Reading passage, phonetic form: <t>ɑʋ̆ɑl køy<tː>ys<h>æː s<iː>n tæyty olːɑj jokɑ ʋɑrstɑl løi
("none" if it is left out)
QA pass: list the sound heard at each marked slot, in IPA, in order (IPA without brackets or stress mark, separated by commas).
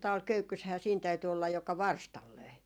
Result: t, kː, h, iː